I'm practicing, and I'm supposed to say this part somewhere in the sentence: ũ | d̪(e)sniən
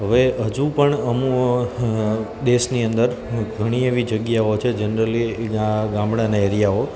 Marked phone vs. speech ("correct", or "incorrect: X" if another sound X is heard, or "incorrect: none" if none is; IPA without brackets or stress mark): correct